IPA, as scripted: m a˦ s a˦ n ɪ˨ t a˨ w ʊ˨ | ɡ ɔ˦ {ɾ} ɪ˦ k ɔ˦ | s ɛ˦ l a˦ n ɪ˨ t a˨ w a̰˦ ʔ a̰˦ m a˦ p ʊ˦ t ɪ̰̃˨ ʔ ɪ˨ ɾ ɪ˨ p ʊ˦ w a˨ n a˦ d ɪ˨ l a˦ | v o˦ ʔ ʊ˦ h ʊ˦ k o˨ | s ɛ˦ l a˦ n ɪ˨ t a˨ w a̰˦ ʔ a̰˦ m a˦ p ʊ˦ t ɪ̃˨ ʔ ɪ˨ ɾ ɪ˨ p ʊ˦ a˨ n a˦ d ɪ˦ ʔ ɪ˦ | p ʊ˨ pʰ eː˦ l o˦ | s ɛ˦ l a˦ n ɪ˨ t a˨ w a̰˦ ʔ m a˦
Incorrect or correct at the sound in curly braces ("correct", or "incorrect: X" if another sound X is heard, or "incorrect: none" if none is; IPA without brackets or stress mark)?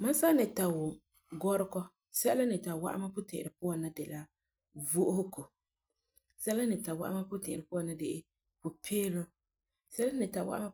correct